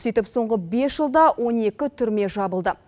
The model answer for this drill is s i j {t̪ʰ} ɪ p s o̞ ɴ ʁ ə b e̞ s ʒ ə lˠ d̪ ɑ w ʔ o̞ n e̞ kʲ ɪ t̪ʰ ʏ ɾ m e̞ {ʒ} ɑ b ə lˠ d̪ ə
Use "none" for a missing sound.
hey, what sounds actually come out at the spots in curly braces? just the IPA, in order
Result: t̪, ʒ

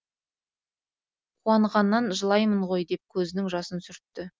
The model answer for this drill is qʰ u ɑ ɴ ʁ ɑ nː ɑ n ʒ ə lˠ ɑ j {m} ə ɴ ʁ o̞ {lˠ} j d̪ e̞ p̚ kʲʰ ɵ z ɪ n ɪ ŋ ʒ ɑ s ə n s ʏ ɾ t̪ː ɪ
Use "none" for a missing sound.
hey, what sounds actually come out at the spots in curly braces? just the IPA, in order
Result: m, none

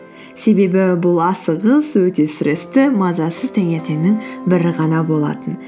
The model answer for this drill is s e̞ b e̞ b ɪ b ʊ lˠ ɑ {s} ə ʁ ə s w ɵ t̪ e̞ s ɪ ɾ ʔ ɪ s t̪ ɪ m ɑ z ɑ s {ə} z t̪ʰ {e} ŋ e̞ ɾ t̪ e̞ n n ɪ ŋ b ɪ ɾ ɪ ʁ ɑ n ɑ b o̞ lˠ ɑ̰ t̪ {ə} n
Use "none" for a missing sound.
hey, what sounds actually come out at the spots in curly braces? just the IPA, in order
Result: s, ə, æ, ə

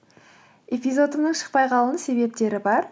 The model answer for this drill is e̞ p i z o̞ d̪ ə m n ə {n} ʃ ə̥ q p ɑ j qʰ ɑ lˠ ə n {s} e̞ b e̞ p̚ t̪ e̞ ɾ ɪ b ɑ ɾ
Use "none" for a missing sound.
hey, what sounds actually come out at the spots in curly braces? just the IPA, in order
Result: ɴ, s

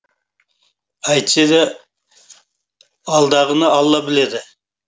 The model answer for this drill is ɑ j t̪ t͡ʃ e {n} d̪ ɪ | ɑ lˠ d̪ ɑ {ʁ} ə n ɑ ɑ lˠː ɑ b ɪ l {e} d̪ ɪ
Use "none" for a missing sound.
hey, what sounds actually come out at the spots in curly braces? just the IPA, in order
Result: none, ʁ, e

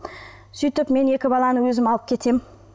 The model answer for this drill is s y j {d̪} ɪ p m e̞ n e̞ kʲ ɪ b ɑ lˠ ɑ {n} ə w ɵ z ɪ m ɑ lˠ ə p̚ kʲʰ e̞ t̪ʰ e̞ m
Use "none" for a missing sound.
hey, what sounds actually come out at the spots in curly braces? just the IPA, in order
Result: t̪, n

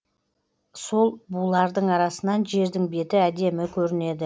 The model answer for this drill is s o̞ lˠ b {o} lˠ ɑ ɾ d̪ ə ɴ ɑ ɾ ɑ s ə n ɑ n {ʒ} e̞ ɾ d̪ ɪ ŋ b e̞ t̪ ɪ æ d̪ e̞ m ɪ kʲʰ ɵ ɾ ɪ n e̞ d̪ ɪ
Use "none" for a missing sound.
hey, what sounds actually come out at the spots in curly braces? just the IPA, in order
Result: u, ʒ

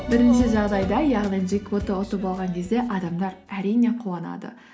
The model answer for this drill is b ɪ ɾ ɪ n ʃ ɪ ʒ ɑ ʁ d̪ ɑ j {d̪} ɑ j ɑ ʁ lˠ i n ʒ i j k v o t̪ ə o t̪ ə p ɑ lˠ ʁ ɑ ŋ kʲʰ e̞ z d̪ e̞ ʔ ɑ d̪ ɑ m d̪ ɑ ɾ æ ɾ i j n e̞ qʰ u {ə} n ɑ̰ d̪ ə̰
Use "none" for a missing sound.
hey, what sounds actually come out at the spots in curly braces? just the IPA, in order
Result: d̪, ɑ

